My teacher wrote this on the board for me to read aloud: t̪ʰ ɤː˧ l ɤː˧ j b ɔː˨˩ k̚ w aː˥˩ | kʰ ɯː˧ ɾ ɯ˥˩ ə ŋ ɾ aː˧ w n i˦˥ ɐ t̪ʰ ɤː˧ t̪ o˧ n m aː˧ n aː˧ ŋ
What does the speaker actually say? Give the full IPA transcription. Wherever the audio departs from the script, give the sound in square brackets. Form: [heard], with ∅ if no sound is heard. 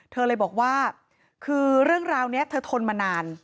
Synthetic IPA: t̪ʰ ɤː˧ l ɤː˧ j b ɔː˨˩ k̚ w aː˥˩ | kʰ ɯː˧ ɾ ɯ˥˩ ə ŋ ɾ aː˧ w n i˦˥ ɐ t̪ʰ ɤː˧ [t̪ʰ] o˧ n m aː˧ n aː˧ [n]

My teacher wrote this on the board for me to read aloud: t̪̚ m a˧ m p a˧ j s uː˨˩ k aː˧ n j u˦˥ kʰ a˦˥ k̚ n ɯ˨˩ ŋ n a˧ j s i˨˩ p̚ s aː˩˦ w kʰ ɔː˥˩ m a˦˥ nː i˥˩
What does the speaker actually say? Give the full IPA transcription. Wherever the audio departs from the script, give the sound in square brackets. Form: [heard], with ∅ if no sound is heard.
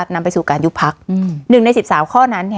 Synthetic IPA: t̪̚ [n] a˧ m p a˧ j s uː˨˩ k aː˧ n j u˦˥ [pʰ] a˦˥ k̚ n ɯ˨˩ ŋ n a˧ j s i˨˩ p̚ s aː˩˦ w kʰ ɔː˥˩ [n] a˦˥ nː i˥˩

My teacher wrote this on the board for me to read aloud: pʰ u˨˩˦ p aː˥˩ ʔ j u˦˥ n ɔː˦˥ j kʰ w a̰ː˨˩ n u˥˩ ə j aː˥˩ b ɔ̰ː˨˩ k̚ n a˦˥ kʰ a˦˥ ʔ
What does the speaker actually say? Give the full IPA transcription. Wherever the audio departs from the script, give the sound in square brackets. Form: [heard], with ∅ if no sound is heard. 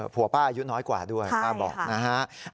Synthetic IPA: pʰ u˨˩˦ p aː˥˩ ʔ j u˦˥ n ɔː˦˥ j [k] w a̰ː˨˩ [d] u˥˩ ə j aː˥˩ b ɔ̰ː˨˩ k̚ n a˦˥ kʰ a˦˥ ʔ

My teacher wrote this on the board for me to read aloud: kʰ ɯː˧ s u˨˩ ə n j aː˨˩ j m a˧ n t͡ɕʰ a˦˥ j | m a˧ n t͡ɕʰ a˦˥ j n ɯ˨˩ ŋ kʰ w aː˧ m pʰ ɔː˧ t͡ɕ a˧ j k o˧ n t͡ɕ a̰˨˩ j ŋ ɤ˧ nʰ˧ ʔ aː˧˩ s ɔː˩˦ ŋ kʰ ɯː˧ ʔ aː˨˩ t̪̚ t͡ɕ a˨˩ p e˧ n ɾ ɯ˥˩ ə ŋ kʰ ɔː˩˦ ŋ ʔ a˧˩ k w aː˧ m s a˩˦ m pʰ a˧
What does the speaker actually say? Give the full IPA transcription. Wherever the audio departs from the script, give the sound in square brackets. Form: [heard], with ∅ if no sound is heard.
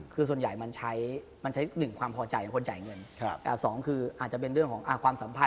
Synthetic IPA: kʰ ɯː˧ s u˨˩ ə n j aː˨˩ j m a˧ n t͡ɕʰ a˦˥ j | m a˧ n t͡ɕʰ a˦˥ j n ɯ˨˩ ŋ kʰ w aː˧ m pʰ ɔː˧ t͡ɕ a˧ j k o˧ n t͡ɕ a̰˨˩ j ŋ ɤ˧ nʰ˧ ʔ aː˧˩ s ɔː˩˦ ŋ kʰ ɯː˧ ʔ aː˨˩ t̪̚ t͡ɕ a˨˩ p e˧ n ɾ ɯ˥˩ ə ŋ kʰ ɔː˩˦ ŋ ʔ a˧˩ k w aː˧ m s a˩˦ m pʰ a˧

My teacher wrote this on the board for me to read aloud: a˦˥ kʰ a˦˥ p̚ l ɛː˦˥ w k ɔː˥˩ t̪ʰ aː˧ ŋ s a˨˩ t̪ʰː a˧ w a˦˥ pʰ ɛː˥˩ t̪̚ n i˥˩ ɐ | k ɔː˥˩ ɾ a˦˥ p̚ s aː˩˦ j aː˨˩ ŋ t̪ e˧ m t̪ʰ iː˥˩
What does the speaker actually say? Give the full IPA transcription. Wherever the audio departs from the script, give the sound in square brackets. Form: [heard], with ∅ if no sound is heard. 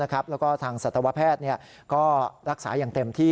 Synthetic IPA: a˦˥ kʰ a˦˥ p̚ l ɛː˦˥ w k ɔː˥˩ t̪ʰ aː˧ ŋ s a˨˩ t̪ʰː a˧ w a˦˥ pʰ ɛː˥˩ t̪̚ n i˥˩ ɐ | k ɔː˥˩ ɾ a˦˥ [k̚] s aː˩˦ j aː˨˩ ŋ t̪ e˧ m t̪ʰ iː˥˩

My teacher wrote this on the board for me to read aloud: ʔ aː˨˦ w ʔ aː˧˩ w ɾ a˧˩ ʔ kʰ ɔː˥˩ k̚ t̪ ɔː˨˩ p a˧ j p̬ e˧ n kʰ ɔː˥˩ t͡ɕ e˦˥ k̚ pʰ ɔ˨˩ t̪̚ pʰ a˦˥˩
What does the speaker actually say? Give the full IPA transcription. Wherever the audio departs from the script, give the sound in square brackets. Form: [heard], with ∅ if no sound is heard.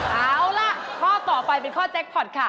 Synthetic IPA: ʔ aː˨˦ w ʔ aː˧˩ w [l] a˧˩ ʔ kʰ ɔː˥˩ [∅] t̪ ɔː˨˩ p a˧ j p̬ e˧ n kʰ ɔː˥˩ t͡ɕ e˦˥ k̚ pʰ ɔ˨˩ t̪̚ [kʰ] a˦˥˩

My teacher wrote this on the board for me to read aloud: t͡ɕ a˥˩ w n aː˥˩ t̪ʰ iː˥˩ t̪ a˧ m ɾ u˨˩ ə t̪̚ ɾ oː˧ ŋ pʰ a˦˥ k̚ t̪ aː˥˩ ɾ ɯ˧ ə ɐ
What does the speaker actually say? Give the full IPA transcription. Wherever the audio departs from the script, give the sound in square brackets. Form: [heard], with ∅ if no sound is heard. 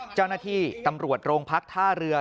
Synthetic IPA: t͡ɕ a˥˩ w n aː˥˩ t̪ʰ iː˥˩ t̪ a˧ m ɾ u˨˩ ə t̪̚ ɾ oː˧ ŋ pʰ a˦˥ k̚ [t̪ʰ] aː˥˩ ɾ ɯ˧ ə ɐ

